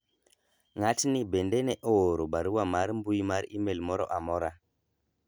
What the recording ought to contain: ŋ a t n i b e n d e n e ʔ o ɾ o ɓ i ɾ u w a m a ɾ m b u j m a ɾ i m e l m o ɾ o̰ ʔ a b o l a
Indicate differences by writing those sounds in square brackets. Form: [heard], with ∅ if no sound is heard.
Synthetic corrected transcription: ŋ a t n i b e n d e n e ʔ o ɾ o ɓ [a] ɾ u w a m a ɾ m b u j m a ɾ i m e l m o ɾ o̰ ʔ a [m] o [ɾ] a